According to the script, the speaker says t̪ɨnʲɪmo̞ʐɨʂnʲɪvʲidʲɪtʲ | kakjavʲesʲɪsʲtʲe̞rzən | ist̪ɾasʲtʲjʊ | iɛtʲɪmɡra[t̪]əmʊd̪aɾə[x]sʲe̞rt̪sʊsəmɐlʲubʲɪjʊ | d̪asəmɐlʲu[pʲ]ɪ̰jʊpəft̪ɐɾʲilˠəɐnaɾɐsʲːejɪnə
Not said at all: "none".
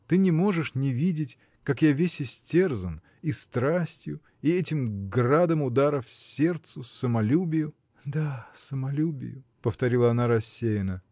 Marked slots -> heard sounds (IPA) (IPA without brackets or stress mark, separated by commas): d̪, f, bʲ